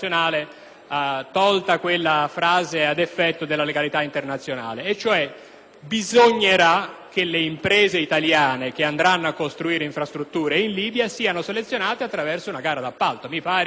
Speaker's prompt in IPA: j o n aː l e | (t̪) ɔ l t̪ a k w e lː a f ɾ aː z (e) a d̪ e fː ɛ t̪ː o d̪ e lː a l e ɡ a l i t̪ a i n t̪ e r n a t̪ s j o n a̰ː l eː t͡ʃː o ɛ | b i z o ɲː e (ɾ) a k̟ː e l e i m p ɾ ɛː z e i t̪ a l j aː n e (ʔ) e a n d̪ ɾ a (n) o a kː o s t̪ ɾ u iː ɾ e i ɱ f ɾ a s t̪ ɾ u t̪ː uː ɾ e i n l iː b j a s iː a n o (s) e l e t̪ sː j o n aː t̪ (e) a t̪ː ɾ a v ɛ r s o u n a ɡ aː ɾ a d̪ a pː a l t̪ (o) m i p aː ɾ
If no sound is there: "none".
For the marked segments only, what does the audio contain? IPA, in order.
t̪, e, ɾ, k, nː, s, e, o

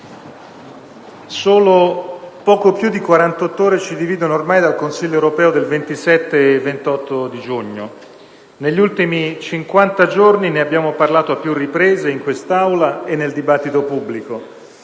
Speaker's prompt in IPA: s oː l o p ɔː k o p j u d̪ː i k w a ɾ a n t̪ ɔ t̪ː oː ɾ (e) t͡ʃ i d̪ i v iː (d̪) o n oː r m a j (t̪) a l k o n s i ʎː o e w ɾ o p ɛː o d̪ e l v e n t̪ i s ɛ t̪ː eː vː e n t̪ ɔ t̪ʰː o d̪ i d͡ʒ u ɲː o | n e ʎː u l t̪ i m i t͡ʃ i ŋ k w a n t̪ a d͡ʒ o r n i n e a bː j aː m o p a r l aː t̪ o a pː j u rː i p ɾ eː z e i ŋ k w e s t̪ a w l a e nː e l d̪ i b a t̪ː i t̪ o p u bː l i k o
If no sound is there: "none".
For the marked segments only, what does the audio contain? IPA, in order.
e, d̪, d̪

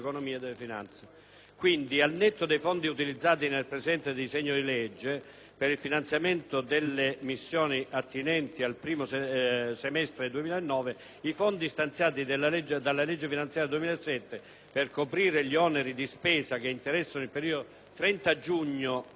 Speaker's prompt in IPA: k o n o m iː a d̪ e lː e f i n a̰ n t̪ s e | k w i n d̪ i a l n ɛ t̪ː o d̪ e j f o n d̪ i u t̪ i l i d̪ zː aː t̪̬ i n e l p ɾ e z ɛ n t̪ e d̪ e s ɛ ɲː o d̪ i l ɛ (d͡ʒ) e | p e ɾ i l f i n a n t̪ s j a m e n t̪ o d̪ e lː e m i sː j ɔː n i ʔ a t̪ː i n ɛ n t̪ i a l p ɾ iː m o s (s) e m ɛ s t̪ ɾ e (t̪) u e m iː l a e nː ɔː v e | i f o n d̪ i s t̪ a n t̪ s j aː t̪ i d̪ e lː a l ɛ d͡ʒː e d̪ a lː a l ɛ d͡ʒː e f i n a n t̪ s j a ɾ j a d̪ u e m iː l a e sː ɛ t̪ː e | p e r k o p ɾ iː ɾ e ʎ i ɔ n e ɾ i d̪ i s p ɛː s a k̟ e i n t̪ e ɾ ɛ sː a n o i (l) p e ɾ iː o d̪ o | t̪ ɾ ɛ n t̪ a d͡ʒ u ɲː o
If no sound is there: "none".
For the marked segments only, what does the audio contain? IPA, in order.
d͡ʒː, s, d̪, l

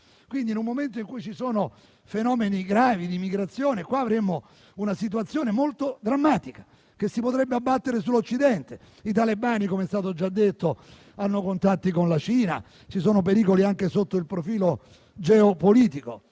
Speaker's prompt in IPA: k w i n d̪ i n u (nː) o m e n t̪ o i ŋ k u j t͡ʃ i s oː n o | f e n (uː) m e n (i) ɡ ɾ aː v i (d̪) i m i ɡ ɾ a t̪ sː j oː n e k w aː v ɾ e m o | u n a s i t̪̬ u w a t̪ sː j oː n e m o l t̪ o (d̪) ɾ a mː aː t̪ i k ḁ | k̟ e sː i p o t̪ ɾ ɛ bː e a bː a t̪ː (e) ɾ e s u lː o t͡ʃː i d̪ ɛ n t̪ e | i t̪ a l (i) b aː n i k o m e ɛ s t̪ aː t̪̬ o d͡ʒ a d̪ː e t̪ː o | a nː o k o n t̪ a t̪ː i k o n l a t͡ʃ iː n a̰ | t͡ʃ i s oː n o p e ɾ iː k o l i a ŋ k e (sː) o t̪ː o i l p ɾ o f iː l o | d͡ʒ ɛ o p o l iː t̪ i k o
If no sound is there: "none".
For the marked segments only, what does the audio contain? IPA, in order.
mː, ɔː, i, d̪, d̪, e, e, s

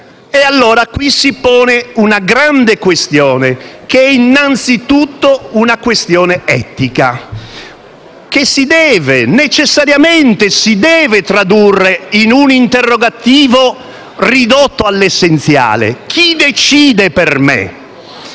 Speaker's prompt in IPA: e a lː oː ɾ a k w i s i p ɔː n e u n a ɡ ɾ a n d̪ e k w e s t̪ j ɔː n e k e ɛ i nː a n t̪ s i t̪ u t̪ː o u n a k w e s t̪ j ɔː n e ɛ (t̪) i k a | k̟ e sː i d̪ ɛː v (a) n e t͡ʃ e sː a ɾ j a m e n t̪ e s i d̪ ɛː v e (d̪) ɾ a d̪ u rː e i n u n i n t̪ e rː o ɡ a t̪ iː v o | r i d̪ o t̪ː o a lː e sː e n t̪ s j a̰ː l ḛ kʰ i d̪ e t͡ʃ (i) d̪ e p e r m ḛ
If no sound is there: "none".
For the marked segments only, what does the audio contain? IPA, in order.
t̪, e, t̪, iː

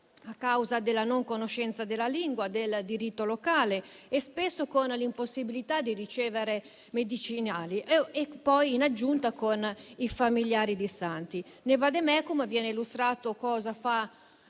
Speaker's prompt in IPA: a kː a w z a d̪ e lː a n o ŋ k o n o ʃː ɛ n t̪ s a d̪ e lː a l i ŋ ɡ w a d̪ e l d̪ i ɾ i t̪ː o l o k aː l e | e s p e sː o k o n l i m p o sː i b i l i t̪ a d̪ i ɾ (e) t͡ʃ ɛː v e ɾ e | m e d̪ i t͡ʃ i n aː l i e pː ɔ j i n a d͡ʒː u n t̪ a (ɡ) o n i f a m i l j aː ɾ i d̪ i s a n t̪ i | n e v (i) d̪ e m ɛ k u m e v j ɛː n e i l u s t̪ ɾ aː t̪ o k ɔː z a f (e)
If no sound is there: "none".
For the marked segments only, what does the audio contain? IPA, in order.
i, k, a, a

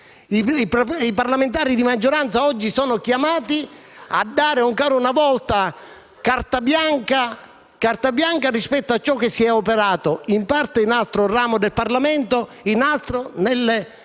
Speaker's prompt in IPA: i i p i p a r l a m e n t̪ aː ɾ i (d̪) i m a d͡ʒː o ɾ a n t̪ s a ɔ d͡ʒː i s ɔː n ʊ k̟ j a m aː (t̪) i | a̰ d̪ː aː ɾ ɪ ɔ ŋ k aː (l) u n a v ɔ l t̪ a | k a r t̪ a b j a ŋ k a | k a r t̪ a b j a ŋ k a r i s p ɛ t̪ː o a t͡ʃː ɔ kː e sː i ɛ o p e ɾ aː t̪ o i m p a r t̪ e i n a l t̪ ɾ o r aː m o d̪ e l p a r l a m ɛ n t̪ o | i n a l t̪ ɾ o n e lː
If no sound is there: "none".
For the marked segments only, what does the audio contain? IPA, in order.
d̪, t̪, ɾ

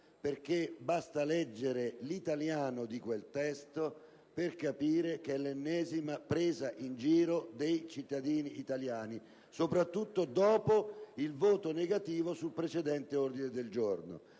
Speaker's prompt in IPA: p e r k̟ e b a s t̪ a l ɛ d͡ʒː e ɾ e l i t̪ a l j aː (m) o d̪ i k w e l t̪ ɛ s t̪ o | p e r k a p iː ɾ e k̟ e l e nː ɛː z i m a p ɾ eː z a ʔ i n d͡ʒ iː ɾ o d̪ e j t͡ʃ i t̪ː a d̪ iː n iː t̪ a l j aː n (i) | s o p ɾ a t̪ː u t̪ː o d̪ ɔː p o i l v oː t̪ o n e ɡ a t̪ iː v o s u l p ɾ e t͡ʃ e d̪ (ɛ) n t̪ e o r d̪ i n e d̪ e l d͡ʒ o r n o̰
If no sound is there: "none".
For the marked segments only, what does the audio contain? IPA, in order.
n, i, ɛ

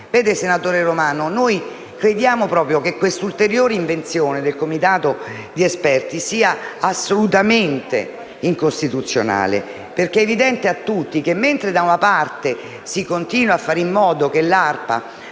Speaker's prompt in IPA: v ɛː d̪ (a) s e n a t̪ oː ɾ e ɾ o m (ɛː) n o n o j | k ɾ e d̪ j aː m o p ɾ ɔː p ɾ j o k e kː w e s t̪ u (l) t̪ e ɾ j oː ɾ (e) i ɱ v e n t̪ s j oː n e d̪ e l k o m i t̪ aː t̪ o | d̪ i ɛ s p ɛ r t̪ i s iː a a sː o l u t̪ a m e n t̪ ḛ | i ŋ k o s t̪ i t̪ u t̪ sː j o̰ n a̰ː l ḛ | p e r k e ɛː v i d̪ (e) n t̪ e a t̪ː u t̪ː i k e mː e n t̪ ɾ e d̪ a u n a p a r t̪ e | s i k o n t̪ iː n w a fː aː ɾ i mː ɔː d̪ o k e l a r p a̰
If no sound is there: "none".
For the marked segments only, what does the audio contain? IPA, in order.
e, aː, l, e, ɛ

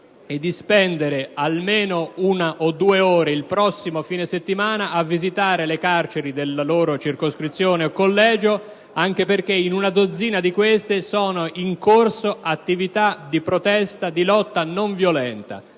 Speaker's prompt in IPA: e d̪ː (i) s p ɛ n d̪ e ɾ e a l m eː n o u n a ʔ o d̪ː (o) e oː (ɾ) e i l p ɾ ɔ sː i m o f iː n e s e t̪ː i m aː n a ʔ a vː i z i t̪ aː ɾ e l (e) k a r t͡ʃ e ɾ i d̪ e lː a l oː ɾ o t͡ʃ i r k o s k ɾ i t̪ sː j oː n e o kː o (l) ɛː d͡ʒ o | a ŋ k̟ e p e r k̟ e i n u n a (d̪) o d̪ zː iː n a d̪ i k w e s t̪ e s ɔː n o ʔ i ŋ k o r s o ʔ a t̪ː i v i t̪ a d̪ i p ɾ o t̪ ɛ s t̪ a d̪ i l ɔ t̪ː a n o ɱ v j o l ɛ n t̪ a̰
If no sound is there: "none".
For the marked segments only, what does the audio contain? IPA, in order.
i, u, ɾ, e, lː, d̪

